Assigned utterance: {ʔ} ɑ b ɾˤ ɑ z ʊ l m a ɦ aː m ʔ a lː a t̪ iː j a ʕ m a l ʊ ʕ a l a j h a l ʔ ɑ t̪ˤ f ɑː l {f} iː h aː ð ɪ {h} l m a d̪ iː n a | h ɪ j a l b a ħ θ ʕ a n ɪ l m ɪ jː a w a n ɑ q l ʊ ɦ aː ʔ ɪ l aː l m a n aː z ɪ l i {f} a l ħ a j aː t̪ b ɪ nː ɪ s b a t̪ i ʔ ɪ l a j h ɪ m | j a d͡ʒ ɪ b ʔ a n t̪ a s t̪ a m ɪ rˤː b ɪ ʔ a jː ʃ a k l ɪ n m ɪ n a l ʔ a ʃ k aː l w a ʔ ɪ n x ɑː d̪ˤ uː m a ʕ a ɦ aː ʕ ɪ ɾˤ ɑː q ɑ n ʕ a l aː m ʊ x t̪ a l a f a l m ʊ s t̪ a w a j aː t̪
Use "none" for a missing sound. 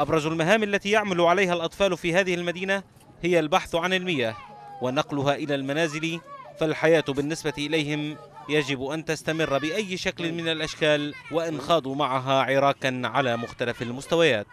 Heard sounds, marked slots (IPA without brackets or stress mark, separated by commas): ʔ, f, h, f